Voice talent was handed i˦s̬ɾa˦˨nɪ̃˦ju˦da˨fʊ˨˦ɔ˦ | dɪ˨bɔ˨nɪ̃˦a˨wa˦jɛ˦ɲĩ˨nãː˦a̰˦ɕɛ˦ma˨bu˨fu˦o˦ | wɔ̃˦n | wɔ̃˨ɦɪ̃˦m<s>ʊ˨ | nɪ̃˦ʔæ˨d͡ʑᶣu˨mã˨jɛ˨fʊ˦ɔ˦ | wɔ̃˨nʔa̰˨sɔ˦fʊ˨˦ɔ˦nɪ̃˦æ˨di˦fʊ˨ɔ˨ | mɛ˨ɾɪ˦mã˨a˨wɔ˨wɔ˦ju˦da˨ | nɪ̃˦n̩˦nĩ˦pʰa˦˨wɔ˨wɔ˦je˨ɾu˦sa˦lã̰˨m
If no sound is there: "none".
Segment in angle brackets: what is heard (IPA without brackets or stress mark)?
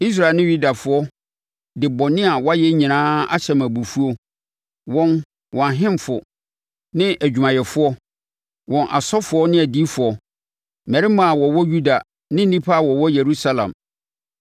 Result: f